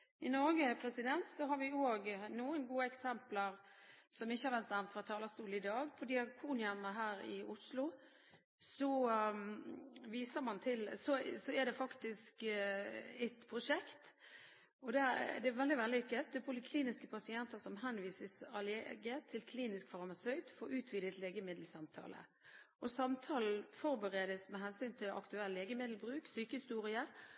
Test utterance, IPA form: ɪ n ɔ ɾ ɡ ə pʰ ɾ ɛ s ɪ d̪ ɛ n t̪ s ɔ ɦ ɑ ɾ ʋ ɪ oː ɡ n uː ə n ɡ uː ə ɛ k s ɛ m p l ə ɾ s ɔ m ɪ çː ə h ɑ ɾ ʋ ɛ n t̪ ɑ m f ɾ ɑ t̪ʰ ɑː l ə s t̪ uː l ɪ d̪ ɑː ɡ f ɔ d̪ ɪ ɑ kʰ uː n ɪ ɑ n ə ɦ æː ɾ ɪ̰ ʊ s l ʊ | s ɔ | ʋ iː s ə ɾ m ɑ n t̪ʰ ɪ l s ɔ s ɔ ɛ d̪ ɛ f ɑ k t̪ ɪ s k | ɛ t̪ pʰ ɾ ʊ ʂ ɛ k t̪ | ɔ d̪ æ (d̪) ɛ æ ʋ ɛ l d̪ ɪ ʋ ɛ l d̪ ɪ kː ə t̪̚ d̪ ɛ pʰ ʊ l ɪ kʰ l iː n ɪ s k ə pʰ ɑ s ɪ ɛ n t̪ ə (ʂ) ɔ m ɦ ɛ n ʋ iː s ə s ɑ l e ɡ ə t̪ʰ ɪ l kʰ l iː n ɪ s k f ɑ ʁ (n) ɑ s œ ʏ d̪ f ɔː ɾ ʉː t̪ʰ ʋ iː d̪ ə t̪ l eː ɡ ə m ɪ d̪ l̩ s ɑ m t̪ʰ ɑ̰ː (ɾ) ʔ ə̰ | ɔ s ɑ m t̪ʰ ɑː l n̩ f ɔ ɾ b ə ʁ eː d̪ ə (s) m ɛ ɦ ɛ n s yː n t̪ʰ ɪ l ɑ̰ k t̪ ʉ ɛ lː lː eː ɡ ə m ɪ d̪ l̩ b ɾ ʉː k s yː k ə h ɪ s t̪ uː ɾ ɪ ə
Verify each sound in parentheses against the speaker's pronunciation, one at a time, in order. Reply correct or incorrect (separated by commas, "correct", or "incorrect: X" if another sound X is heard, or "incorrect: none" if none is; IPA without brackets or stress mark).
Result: correct, incorrect: s, incorrect: m, incorrect: l, correct